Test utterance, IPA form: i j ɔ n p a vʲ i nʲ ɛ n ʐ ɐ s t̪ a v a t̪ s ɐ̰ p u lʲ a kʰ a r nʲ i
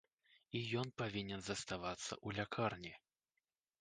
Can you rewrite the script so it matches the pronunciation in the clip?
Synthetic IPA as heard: i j ɔ n p a vʲ i nʲ ɛ n z ɐ s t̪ a v a t̪ sː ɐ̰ ʔ u lʲ a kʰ a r nʲ i